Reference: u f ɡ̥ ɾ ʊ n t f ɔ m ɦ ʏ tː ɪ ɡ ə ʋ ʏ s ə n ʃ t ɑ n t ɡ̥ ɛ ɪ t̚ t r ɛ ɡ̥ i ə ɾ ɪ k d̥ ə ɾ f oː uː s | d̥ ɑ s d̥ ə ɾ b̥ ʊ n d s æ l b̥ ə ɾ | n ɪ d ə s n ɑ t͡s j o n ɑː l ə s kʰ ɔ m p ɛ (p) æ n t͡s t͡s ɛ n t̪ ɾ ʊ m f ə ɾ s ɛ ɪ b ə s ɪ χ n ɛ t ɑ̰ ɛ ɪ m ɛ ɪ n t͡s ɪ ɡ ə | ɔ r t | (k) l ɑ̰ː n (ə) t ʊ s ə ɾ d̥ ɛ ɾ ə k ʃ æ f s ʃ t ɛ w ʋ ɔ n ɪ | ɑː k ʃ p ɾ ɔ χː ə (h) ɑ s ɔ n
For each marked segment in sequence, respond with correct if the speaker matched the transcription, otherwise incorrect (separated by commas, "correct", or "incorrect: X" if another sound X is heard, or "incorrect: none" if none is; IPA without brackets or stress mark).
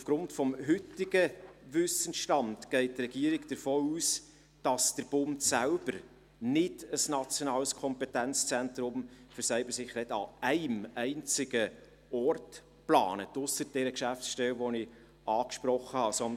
incorrect: t, incorrect: p, correct, correct